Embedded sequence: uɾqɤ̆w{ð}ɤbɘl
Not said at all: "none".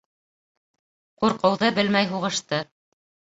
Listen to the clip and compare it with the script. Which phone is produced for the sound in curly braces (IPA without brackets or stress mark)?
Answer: ð